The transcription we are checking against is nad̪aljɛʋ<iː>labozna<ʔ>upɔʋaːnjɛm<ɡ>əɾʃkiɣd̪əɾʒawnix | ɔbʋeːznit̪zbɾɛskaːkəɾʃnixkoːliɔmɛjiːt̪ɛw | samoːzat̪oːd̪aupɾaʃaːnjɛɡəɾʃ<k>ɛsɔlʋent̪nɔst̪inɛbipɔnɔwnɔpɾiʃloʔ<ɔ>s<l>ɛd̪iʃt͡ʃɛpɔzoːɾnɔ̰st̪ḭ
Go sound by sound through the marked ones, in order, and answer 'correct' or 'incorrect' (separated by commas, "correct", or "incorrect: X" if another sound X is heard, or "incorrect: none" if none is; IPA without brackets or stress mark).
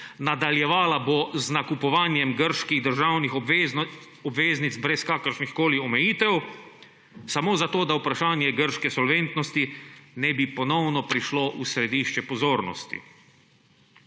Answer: incorrect: aː, incorrect: k, correct, correct, incorrect: u, incorrect: ɾ